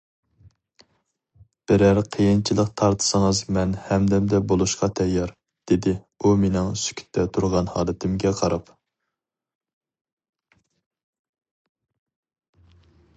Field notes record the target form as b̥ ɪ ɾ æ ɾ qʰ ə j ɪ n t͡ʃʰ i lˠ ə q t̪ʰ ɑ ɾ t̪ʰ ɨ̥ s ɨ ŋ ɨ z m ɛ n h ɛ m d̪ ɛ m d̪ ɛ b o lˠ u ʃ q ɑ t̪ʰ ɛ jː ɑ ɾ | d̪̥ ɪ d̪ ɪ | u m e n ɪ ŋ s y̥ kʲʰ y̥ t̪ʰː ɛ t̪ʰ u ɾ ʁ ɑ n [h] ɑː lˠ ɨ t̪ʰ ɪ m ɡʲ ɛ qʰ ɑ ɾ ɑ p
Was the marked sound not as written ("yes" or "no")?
no